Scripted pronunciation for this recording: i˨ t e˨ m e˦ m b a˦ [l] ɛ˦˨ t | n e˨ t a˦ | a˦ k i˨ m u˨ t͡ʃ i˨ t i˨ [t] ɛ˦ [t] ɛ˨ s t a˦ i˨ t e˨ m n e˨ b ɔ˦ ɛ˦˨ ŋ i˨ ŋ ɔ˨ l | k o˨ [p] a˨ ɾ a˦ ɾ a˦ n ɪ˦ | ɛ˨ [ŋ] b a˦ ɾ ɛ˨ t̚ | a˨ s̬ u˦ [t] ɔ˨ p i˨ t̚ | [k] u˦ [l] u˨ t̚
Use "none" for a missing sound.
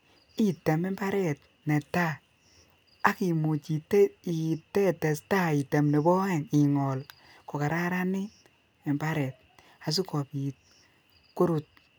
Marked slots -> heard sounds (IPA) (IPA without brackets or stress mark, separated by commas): ɾ, t, t, k, m, k, k, ɾ